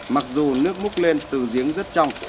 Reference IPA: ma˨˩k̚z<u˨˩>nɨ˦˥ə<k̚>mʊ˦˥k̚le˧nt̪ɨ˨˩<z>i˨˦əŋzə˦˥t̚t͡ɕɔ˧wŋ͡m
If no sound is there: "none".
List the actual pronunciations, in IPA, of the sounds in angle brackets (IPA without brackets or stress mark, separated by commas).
u˨˩, k̚, z